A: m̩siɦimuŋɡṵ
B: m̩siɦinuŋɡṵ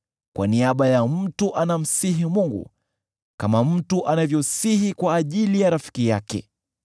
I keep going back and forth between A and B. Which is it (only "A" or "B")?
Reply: A